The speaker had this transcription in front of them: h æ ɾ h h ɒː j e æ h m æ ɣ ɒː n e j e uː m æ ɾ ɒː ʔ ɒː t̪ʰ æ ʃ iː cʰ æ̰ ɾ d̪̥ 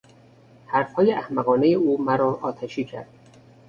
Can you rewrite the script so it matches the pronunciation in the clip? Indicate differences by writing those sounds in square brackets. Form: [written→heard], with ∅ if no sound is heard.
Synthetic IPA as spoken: h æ ɾ [h→f] h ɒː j e æ h m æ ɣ ɒː n e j e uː m æ ɾ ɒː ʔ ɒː t̪ʰ æ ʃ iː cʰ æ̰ ɾ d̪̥